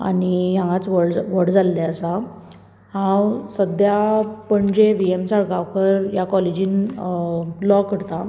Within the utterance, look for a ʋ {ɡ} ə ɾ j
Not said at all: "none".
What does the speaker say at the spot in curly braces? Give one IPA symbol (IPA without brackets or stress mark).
k